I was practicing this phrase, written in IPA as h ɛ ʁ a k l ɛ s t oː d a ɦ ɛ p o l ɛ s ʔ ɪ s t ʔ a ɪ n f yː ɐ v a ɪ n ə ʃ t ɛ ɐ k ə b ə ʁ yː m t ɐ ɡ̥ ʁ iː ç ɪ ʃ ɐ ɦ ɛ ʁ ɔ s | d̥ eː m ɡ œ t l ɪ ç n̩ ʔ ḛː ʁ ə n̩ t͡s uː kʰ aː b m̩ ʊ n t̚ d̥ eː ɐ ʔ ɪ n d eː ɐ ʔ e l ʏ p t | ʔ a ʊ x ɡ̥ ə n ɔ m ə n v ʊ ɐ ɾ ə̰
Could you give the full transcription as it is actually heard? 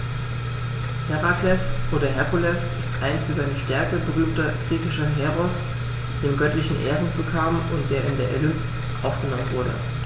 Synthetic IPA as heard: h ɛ ʁ a k l ɛ s ʔ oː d ɐ ɦ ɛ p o l ɛ s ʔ ɪ s t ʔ a ɪ n f yː ɐ z a ɪ n ə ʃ t ɛ ɐ k ə b ə ʁ yː m t ɐ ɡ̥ ʁ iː ç ɪ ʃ ɐ ɦ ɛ ʁ ɔ s | d̥ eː m ɡ œ t l ɪ ç n̩ ʔ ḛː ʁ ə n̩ t͡s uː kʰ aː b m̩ ʊ n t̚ d̥ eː ɐ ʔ ɪ n d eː ɐ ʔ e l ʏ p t | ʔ a ʊ f ɡ̥ ə n ɔ m ə n v ʊ ɐ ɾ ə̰